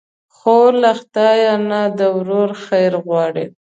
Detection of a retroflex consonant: present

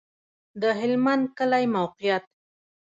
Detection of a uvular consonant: present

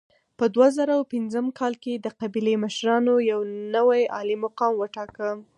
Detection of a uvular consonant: present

